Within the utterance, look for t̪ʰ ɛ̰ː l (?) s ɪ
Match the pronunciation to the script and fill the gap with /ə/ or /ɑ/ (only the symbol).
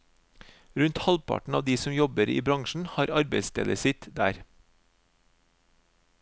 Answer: ə